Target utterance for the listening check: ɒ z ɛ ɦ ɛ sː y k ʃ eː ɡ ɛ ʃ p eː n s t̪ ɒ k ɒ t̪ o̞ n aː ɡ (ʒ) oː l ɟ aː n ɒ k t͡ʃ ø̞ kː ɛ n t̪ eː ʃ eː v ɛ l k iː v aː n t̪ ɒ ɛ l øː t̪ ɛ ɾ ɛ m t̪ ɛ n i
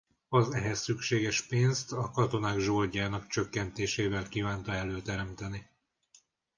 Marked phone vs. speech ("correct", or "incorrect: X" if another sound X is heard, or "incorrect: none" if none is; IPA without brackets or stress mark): correct